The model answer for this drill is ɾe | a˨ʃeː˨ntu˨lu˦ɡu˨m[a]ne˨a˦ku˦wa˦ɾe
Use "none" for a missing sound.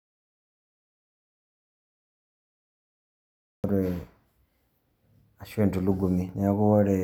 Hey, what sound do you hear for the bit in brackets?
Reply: i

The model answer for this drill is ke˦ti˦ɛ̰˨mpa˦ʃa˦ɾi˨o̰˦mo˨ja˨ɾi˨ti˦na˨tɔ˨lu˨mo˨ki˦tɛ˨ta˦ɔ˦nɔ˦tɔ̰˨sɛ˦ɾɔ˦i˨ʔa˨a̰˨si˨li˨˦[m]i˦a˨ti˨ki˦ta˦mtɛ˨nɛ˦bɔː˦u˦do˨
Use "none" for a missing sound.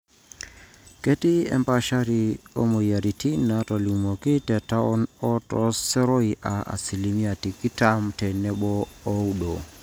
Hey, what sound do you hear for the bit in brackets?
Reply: m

